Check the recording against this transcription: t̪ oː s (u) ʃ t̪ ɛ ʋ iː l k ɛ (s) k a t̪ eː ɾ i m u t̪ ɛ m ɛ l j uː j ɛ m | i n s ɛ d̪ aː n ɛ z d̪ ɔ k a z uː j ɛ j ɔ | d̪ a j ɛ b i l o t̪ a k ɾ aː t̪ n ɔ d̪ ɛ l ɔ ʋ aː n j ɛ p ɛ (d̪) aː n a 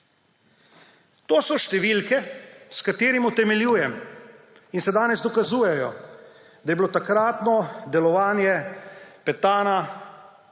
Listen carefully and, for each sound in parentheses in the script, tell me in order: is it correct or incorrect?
incorrect: ɔ, correct, incorrect: t̪

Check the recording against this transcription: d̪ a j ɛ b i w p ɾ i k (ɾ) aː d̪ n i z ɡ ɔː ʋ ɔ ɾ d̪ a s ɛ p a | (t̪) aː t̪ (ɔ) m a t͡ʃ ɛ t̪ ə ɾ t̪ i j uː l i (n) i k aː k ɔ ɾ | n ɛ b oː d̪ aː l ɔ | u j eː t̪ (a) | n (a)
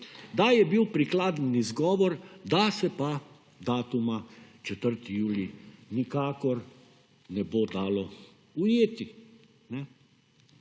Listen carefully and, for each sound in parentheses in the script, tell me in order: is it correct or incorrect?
incorrect: l, incorrect: d̪, incorrect: u, correct, incorrect: i, incorrect: ɛ

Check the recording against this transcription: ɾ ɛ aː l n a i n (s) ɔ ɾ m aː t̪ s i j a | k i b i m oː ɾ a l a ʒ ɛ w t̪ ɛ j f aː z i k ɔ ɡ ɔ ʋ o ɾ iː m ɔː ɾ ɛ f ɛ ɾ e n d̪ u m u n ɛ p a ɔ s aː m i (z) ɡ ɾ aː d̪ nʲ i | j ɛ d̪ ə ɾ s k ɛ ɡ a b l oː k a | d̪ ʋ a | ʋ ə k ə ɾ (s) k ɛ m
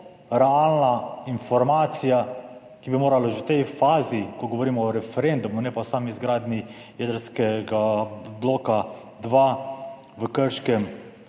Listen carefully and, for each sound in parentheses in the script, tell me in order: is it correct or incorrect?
incorrect: f, correct, incorrect: ʃ

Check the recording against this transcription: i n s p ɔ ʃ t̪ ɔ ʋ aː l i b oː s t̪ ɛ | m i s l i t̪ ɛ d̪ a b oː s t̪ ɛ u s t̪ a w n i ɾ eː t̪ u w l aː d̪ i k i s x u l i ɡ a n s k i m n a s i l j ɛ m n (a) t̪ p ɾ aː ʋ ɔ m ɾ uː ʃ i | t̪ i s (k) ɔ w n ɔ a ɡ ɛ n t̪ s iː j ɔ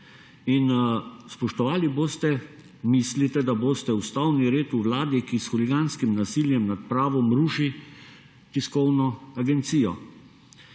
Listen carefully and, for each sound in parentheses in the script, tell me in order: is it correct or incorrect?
correct, correct

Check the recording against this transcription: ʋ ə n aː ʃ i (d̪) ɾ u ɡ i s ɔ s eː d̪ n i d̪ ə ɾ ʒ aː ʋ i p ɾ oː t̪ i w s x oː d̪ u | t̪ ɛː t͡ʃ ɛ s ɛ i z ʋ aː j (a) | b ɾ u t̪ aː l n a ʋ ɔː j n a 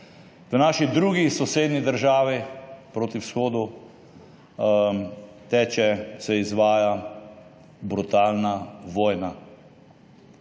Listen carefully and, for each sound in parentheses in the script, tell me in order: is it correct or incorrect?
correct, correct

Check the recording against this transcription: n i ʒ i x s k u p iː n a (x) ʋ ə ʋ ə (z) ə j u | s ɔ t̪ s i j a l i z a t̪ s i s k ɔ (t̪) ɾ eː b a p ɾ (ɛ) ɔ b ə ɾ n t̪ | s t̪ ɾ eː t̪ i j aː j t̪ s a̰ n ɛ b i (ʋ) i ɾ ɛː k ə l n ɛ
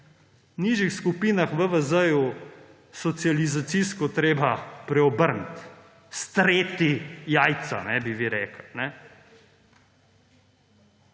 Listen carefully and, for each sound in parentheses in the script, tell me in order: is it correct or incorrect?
correct, correct, correct, correct, correct

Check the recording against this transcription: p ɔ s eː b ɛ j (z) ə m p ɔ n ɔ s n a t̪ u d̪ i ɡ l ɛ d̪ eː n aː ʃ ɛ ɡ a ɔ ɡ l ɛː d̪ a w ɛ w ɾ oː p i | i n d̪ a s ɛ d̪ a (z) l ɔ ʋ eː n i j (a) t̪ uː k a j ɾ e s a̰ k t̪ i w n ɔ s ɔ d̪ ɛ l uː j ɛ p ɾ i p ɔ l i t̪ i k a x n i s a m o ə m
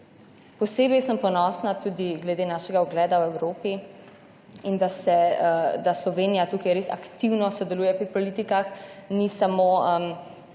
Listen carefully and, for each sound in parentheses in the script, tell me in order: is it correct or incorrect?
incorrect: s, incorrect: s, correct

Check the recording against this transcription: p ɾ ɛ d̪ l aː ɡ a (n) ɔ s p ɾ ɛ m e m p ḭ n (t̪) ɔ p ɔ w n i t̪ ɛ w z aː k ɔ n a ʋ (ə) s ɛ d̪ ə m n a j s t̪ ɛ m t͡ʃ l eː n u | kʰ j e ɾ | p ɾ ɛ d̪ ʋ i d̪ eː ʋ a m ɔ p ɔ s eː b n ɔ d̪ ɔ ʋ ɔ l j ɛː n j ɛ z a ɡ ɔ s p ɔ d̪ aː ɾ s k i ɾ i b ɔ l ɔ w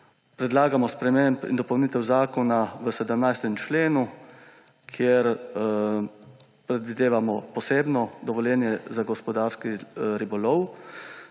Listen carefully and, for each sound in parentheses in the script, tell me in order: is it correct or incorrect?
incorrect: m, incorrect: d̪, correct

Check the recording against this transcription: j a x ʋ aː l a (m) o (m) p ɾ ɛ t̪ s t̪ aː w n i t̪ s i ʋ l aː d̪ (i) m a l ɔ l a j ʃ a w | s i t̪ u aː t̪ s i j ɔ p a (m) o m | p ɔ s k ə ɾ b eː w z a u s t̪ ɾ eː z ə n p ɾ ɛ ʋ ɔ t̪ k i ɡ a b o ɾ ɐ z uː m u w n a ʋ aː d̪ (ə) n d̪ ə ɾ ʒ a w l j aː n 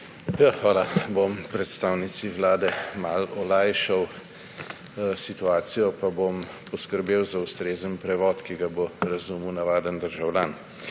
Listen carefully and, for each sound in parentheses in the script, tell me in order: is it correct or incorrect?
incorrect: b, correct, incorrect: ɛ, incorrect: b, correct

